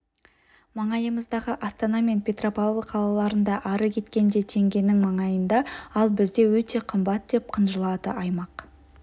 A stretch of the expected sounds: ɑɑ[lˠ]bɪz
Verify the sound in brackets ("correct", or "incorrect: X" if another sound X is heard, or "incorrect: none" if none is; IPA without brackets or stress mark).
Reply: correct